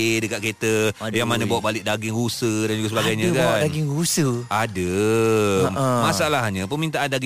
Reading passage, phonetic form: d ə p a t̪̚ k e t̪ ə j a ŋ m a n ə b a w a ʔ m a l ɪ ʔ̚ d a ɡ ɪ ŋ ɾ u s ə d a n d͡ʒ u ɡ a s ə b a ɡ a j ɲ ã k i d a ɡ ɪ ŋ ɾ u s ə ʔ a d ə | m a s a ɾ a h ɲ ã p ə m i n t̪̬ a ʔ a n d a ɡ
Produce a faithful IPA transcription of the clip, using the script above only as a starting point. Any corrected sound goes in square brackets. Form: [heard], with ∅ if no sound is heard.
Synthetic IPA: d ə [k] a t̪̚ k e t̪ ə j a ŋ m a n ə b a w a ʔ [b] a l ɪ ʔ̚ d a ɡ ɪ ŋ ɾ u s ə d a n d͡ʒ u ɡ a s ə b a ɡ a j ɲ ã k [a] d a ɡ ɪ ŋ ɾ u s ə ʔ a d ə | m a s a [l] a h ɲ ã p ə m i n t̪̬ a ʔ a n d a ɡ